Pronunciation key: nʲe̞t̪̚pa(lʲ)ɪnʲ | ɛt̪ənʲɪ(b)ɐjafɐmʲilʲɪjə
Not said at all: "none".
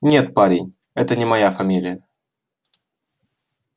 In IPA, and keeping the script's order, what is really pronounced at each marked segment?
ɾʲ, m

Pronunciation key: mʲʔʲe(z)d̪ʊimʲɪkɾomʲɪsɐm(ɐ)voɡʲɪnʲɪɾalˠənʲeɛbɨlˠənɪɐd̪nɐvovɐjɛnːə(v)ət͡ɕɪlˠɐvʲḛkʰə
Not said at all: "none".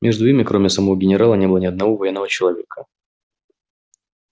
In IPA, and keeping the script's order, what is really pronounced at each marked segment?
ʐ, ɐ, v

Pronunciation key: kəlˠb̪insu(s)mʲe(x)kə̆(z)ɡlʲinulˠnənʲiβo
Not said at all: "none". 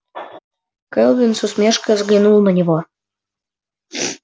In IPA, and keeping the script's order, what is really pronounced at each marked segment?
s, ʃ, z

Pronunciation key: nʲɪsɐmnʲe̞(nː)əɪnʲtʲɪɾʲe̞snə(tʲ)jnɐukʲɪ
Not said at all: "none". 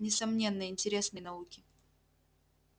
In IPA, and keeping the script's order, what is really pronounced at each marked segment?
nː, none

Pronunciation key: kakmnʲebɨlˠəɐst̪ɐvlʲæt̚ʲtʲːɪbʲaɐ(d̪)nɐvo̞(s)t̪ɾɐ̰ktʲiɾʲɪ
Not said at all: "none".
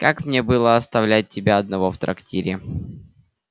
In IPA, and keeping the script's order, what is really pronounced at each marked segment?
d̪, f

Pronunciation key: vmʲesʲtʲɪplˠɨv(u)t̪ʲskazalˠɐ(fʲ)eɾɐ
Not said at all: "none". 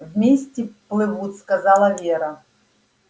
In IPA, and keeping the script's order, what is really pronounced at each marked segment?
u, vʲ

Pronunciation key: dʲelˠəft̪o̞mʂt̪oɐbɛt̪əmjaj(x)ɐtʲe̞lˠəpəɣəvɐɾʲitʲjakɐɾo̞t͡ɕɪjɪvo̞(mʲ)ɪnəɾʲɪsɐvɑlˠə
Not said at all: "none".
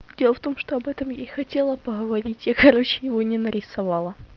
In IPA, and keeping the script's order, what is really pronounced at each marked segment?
x, nʲ

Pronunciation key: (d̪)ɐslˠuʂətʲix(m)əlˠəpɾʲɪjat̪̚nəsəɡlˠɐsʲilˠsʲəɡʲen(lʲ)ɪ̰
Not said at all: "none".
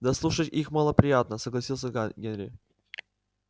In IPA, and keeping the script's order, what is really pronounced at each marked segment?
d̪, m, ɾʲ

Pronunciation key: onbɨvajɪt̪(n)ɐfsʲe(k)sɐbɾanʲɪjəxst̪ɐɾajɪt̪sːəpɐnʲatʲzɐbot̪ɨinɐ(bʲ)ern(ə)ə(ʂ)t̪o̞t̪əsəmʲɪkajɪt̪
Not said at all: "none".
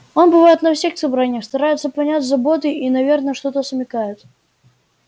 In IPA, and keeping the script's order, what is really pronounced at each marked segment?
n, x, vʲ, ə, ʂ

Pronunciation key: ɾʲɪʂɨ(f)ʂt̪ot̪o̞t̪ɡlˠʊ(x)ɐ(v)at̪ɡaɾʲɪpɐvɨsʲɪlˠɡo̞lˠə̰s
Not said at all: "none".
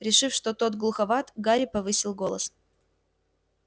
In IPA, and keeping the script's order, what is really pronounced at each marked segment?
f, x, v

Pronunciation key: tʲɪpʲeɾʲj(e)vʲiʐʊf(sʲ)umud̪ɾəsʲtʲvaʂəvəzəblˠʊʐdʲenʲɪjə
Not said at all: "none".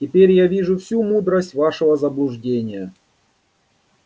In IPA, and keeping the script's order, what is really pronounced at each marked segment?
a, sʲ

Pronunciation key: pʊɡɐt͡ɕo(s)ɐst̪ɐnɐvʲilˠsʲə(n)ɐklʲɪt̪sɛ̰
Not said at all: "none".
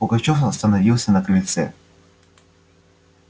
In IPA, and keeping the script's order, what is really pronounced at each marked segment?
f, n

